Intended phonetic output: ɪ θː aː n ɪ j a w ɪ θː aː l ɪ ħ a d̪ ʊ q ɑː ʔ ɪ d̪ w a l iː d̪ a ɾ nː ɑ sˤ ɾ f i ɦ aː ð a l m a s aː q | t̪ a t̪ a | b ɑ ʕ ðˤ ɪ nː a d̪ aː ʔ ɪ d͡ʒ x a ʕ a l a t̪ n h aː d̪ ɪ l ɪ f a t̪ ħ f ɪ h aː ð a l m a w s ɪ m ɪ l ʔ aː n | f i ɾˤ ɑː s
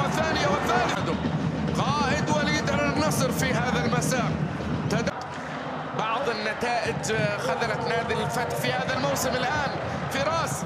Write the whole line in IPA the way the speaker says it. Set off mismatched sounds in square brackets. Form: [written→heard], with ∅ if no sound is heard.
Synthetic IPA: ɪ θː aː n ɪ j a w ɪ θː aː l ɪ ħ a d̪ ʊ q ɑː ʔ ɪ d̪ w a l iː d̪ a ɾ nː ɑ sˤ ɾ f i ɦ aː ð a l m a s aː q | t̪ a [t̪→d̪] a | b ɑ ʕ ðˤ ɪ nː a [d̪→t̪] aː ʔ ɪ d͡ʒ x a [ʕ→ð] a l a t̪ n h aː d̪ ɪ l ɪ f a t̪ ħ f [ɪ→i] h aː ð a l m a w s ɪ m ɪ l ʔ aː n | f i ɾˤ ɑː s